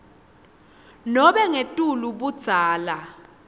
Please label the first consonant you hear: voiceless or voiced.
voiced